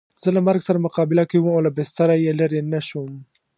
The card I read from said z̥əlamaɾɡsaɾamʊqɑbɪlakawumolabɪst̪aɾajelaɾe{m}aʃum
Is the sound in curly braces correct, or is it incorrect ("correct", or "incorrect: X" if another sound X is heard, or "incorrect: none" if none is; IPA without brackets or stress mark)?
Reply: incorrect: n